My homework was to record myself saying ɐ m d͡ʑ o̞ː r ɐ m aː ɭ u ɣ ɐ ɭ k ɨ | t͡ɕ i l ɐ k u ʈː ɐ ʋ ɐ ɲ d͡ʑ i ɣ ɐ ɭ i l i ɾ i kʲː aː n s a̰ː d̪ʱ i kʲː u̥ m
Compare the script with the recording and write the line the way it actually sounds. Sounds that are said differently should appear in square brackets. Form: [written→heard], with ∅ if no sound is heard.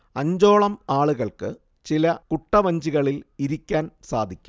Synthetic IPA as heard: ɐ [m→ɲ] d͡ʑ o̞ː [r→ɭ] ɐ m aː ɭ u ɣ ɐ ɭ k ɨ | t͡ɕ i l ɐ k u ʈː ɐ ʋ ɐ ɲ d͡ʑ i ɣ ɐ ɭ i l i ɾ i kʲː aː n s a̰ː d̪ʱ i kʲː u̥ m